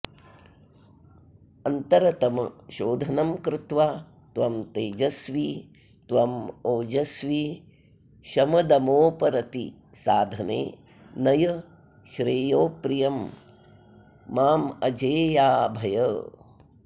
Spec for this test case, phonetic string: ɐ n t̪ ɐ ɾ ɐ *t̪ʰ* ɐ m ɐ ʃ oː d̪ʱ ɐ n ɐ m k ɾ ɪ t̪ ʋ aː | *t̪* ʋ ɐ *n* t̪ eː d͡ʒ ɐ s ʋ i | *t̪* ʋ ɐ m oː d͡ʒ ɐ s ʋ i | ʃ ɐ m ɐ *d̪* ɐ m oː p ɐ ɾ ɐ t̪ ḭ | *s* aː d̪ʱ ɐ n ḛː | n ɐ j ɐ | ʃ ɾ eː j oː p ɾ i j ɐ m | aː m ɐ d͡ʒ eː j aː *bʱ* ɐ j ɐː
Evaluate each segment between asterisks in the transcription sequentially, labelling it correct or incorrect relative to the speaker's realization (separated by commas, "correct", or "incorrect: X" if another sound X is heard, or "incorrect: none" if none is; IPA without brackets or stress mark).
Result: incorrect: t̪, correct, incorrect: m, correct, correct, correct, correct